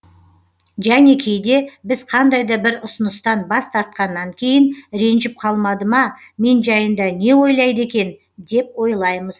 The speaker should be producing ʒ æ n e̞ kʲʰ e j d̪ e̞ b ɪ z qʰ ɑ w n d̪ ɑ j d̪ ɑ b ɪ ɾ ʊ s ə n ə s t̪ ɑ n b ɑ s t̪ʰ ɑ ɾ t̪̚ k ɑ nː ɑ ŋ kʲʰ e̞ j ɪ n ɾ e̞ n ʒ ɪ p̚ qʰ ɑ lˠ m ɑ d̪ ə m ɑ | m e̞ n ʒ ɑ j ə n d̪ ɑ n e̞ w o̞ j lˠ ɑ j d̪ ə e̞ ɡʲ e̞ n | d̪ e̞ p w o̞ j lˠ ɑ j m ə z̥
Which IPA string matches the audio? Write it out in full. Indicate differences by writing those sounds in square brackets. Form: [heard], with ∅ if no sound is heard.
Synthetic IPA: ʒ æ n e̞ kʲʰ e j d̪ e̞ b ɪ z qʰ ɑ [∅] n d̪ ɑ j d̪ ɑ b ɪ ɾ ʊ s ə n ə s t̪ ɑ n b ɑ s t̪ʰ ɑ ɾ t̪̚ [q] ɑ nː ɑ ŋ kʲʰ e̞ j ɪ n ɾ e̞ n ʒ ɪ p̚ qʰ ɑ lˠ m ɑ d̪ ə m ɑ | m e̞ n ʒ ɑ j ə n d̪ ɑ n e̞ w o̞ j lˠ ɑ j d̪ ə e̞ [kʲ] e̞ n | d̪ e̞ p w o̞ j lˠ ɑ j m ə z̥